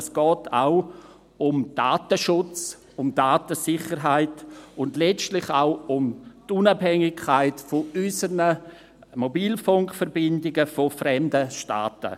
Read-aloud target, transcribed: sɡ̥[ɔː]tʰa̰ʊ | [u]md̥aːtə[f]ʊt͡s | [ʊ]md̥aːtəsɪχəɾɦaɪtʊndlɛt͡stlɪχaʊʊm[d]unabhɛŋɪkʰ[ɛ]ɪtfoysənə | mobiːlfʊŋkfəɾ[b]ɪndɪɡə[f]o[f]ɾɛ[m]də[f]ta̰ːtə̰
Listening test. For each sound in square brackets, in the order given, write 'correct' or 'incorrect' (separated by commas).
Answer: correct, incorrect, incorrect, correct, incorrect, incorrect, correct, correct, correct, correct, incorrect